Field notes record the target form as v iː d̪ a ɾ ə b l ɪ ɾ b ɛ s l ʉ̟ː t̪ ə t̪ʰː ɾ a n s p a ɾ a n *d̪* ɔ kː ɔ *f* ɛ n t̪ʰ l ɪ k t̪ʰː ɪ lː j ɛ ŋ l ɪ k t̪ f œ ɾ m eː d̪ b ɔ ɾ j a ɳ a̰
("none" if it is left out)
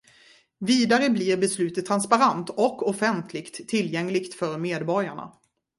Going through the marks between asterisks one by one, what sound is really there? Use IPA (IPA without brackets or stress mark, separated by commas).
t̪, f